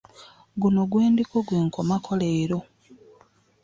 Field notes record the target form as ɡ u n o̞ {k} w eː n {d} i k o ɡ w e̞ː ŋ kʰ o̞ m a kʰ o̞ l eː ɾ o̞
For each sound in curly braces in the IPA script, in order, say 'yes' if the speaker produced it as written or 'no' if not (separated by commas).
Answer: no, yes